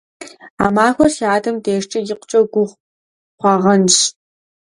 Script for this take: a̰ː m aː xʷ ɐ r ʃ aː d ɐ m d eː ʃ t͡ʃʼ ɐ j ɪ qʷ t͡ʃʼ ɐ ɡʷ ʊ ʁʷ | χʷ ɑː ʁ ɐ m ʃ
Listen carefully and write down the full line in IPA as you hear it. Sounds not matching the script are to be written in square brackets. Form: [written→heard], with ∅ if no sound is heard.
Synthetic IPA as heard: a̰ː m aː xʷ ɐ r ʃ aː d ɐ m d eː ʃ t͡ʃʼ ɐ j ɪ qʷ t͡ʃʼ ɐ ɡʷ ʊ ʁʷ | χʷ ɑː ʁ ɐ [m→n] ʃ